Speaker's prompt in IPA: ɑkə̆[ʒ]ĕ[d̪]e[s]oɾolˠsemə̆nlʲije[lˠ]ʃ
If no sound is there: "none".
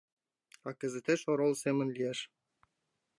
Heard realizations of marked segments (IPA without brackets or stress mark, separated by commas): z, t̪, ʃ, none